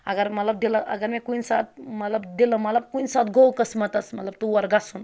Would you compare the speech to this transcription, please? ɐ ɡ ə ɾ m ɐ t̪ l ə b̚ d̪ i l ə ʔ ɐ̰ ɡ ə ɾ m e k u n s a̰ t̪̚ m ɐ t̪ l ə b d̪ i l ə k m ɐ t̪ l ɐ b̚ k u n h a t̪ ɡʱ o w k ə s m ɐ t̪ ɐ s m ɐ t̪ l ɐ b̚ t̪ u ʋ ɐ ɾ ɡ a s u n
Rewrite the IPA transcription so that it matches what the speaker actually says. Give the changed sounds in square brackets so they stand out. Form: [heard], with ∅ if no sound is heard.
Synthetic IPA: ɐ ɡ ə ɾ m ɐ t̪ l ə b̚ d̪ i l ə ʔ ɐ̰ ɡ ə ɾ m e k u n s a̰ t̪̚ m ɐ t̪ l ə b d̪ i l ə [∅] m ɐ t̪ l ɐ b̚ k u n [s] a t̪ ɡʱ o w k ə s m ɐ t̪ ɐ s m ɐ t̪ l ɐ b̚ t̪ u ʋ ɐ ɾ ɡ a s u n